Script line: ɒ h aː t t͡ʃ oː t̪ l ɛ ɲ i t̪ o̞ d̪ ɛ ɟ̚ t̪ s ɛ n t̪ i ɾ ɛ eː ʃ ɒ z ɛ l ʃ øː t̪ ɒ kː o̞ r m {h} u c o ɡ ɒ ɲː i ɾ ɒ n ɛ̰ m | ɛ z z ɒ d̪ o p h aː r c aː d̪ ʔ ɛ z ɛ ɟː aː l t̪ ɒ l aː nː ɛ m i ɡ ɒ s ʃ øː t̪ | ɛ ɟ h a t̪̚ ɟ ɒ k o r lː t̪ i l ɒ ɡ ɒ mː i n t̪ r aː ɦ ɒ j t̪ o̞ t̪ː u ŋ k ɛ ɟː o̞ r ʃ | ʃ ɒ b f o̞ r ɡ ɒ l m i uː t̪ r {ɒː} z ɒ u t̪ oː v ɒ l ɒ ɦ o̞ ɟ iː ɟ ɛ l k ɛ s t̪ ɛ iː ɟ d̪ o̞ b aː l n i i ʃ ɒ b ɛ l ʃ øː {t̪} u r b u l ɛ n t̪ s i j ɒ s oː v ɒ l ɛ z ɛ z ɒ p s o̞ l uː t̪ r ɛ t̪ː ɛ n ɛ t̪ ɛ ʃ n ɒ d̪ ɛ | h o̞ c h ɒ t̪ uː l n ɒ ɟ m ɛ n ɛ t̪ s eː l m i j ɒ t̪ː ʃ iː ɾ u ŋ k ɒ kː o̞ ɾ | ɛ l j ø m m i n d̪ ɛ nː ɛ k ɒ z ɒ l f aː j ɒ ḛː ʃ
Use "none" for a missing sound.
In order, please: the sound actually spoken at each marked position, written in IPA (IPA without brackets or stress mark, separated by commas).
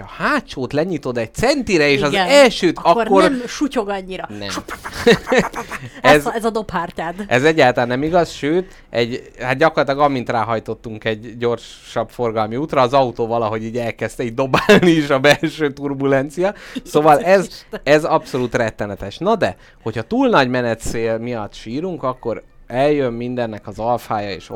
ʃ, ɒː, t̪